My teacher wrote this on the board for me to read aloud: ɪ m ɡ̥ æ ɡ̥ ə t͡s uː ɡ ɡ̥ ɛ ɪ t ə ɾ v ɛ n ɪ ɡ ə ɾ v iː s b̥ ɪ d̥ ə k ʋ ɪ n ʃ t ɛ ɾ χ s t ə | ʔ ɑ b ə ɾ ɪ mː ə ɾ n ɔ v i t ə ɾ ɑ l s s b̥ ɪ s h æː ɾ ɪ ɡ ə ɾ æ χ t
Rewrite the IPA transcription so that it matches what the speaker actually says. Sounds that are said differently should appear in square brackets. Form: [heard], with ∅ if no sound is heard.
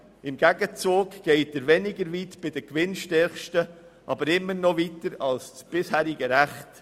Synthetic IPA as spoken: ɪ m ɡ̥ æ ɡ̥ ə t͡s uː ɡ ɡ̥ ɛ ɪ t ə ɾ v ɛ n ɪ ɡ ə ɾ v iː [t] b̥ ɪ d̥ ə k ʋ ɪ n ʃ t ɛ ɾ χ [ʃ] t ə | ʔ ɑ b ə ɾ ɪ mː ə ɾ n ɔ v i t ə ɾ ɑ l s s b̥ ɪ s h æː ɾ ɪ ɡ ə ɾ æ χ t